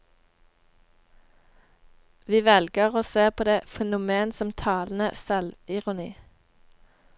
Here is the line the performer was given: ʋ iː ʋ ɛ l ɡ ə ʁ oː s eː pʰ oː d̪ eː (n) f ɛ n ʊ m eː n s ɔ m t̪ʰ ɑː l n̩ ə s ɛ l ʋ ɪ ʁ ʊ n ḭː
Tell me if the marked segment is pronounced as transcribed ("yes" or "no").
no